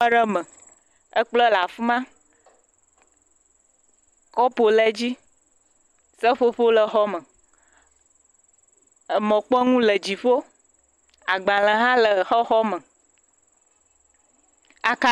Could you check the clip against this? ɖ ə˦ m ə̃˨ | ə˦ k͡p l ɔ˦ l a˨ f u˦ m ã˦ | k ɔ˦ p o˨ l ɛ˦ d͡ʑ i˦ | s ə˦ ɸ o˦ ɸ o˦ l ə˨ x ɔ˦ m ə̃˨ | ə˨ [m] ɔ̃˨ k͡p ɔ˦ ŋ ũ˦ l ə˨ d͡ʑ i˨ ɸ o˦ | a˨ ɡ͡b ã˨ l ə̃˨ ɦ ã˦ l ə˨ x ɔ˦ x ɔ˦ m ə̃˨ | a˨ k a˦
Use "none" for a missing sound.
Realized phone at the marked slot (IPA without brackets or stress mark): m